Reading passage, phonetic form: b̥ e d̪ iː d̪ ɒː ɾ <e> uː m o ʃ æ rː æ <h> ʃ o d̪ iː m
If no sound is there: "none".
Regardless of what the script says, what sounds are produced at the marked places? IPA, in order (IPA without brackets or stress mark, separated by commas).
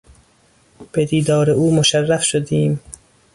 e, f